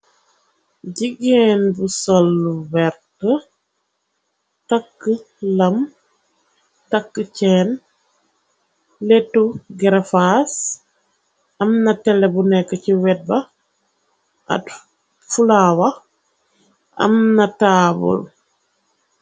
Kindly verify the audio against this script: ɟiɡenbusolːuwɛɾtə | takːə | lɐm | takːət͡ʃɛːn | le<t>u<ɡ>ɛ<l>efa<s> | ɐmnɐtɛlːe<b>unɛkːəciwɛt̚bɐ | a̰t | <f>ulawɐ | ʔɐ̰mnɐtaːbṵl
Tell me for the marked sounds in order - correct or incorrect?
correct, correct, incorrect: ɾ, correct, correct, correct

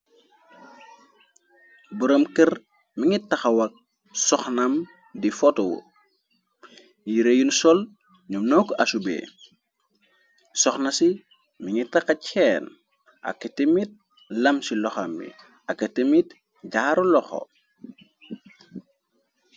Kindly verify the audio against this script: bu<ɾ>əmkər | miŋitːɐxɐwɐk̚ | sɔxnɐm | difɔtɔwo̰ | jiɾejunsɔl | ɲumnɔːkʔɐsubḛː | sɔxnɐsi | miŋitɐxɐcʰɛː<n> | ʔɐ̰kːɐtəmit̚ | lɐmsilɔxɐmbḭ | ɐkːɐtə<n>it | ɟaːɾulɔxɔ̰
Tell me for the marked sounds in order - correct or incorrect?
correct, correct, incorrect: m

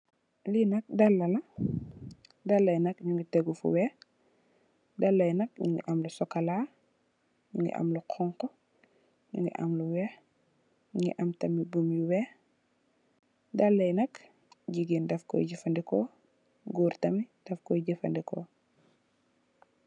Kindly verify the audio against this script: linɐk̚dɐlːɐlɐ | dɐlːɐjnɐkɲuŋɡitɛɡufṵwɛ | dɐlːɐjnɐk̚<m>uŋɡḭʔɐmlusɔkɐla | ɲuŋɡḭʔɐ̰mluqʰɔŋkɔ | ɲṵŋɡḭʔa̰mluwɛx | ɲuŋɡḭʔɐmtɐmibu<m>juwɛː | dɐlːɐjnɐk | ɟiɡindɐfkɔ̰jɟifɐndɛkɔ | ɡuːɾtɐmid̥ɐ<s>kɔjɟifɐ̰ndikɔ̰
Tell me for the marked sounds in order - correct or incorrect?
incorrect: ɲ, correct, incorrect: f

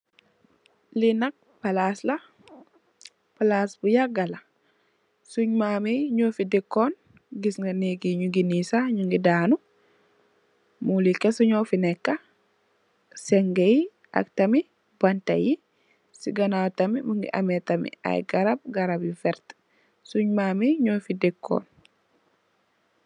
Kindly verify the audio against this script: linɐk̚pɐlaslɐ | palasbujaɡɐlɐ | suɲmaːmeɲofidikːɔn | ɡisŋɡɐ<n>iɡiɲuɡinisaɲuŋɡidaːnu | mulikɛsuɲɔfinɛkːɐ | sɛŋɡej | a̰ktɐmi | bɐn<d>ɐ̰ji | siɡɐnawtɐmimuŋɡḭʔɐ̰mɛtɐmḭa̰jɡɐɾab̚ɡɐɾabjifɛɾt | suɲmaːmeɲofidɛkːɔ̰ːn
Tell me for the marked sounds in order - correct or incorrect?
correct, incorrect: t

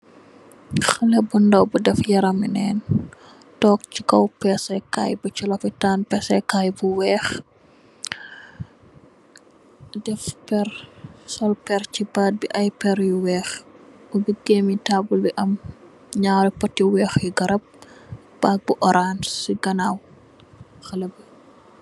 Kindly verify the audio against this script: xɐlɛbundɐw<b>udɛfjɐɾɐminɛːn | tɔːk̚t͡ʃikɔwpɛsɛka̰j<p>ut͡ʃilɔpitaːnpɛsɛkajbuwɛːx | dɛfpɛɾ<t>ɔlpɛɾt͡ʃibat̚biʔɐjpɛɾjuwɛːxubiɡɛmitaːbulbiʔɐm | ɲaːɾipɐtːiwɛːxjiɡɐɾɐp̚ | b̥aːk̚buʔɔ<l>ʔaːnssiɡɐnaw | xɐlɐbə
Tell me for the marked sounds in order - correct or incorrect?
correct, incorrect: b, incorrect: s, incorrect: ɾ

